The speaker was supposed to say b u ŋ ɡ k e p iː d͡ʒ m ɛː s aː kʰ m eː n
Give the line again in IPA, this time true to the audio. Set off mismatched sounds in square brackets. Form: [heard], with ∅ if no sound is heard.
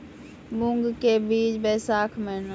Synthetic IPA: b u ŋ ɡ k e [b] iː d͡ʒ [b] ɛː s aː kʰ m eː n